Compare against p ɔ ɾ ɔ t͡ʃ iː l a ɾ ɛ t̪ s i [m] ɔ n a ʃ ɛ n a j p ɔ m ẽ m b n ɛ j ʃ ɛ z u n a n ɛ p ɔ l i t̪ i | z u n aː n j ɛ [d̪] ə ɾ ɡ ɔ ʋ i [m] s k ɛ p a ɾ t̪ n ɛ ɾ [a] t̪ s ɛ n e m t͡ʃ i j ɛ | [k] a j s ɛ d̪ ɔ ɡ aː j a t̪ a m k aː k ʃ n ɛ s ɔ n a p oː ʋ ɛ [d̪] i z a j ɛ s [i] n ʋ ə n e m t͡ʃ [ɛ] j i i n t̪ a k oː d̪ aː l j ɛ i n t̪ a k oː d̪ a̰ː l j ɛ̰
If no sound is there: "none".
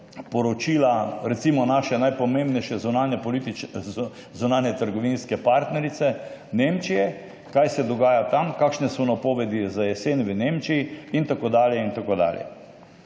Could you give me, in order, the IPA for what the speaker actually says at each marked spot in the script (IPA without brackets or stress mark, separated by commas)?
m, t̪, n, i, k, d̪, e, i